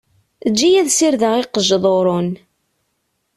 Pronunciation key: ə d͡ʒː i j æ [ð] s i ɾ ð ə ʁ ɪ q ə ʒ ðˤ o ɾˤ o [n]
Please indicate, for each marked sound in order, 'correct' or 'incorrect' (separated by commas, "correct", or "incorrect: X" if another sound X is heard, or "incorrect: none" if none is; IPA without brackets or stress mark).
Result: correct, correct